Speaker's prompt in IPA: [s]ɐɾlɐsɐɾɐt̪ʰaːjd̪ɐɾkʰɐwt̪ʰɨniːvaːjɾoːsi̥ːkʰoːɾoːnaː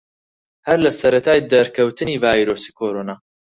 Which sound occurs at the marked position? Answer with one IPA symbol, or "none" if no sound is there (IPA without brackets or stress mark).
h